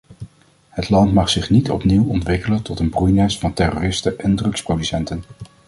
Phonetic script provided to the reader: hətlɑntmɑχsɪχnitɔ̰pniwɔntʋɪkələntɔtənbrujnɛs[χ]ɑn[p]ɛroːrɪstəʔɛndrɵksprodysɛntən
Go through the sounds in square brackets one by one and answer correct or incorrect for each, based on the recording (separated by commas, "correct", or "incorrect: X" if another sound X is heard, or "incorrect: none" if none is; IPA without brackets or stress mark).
incorrect: f, incorrect: t